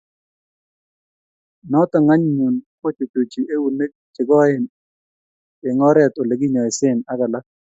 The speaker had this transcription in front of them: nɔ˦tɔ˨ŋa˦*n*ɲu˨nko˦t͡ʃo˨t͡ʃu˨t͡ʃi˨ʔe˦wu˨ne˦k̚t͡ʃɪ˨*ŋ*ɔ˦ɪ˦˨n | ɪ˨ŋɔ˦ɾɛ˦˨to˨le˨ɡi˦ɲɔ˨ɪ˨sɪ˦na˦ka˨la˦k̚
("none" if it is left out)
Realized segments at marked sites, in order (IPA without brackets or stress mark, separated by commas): ɲ, ɡ